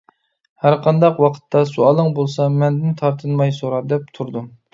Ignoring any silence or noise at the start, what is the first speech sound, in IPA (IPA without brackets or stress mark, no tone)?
h